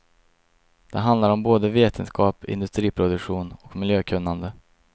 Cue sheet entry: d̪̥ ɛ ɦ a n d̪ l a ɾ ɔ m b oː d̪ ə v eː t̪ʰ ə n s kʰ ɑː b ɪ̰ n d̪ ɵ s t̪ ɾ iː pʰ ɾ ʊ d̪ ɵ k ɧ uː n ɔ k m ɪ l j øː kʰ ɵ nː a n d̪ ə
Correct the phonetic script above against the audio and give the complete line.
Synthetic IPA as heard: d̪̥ ɛ ɦ a n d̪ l a ɾ ɔ m b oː d̪ ə v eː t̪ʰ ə n s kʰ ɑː p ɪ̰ n d̪ ɵ s t̪ ɾ iː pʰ ɾ ʊ d̪ ɵ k ɧ uː n ɔ k m ɪ l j øː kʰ ɵ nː a n d̪ ə